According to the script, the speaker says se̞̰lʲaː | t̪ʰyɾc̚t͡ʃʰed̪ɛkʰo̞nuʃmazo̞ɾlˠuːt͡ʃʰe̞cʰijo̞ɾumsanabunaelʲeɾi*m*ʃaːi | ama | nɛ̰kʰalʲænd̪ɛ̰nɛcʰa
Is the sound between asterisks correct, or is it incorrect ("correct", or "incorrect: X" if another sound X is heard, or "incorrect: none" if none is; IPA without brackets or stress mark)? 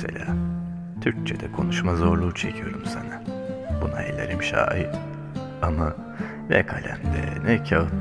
correct